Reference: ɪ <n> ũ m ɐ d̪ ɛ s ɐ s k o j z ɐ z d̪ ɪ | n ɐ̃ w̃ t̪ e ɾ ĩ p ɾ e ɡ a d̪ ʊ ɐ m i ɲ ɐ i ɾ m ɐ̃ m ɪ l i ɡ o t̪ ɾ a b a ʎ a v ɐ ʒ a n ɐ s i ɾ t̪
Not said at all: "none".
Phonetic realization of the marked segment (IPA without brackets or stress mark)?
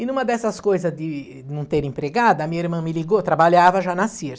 n